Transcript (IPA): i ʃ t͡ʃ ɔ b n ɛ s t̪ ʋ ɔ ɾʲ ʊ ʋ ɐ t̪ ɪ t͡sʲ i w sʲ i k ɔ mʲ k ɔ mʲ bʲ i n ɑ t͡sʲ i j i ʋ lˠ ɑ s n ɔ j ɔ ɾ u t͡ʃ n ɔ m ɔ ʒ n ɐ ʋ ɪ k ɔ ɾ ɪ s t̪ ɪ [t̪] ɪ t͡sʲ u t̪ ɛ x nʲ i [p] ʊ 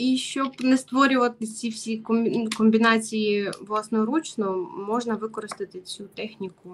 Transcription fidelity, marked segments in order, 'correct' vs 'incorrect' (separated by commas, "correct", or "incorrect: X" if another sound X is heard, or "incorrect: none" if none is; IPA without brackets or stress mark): correct, incorrect: k